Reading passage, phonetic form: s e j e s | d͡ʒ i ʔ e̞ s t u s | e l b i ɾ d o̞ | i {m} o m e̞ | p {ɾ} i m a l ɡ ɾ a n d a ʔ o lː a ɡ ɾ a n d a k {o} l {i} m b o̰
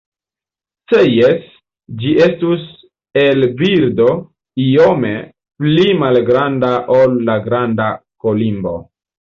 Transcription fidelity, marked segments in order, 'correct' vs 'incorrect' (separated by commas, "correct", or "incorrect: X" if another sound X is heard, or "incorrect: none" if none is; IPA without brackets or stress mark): incorrect: none, incorrect: l, correct, correct